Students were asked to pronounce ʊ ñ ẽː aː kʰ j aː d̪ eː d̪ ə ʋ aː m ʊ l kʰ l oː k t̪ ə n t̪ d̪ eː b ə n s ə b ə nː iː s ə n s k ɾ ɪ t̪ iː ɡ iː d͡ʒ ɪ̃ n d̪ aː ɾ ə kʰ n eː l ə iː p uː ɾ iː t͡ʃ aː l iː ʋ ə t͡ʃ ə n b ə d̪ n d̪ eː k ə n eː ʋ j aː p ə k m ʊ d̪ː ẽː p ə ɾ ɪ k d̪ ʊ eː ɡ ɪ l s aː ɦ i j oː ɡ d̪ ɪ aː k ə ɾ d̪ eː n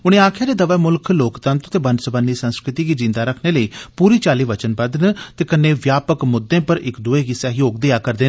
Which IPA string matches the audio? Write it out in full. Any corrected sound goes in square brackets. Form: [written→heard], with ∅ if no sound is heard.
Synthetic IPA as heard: ʊ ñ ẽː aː kʰ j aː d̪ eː d̪ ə ʋ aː m ʊ l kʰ l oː k t̪ ə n t̪ [d̪→t̪] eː b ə n s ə b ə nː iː s ə n s k ɾ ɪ t̪ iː ɡ iː d͡ʒ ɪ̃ n d̪ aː ɾ ə kʰ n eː l ə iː p uː ɾ iː t͡ʃ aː l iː ʋ ə t͡ʃ ə n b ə d̪ n [d̪→t̪] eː k ə n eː ʋ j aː p ə k m ʊ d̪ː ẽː p ə ɾ ɪ k d̪ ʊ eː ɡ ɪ [l→∅] s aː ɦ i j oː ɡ d̪ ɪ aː k ə ɾ d̪ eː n